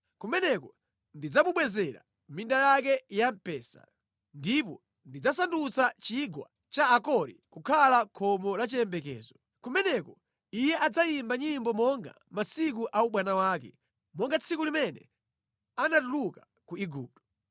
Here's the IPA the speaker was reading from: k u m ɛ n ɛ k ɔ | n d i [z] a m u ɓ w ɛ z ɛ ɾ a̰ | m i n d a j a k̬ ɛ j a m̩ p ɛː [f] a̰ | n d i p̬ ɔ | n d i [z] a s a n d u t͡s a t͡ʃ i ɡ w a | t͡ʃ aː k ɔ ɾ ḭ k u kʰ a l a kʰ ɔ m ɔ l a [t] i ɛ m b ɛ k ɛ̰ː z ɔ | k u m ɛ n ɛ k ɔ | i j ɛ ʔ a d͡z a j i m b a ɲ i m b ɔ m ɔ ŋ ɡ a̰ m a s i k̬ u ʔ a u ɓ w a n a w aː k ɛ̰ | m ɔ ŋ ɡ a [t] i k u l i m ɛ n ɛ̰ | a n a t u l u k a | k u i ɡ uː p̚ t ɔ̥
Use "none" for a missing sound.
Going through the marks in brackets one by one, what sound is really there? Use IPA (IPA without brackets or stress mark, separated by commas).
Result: d͡z, s, d͡z, t͡ʃ, t͡sʰ